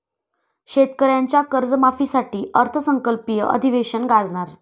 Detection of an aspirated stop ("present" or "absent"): present